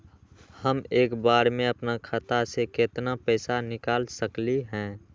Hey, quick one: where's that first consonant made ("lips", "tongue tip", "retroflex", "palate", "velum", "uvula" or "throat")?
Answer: throat